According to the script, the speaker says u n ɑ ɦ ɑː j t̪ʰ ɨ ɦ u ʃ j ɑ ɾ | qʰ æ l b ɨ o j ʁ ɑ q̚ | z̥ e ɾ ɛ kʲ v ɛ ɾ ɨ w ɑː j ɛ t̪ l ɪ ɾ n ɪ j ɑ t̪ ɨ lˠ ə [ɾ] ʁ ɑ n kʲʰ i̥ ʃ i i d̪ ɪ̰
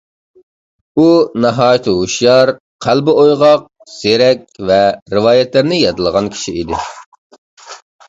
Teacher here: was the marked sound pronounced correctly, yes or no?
no